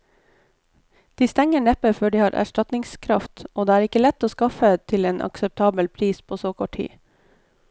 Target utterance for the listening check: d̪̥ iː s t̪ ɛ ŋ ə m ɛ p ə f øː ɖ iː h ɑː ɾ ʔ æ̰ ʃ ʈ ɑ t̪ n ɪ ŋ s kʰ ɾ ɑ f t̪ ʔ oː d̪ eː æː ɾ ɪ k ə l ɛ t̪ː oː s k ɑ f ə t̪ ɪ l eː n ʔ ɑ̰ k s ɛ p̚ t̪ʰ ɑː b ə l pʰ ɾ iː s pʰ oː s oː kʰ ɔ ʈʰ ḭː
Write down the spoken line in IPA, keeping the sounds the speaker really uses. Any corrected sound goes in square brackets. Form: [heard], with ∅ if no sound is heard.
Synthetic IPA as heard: d̪̥ iː s t̪ ɛ ŋ ə [ɳ] ɛ p ə f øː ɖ iː h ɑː ɾ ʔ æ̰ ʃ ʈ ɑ t̪ n ɪ ŋ s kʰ ɾ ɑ f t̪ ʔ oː d̪ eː æː ɾ ɪ k ə l ɛ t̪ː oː s k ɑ f ə [t̪ʰ] ɪ l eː n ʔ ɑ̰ k s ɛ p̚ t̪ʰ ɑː b ə l pʰ ɾ iː s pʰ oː s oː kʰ ɔ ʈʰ ḭː